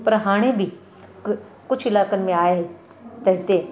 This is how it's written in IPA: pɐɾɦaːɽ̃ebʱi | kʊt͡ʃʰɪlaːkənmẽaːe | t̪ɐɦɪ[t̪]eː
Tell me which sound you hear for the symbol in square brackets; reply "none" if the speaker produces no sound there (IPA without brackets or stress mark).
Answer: t̪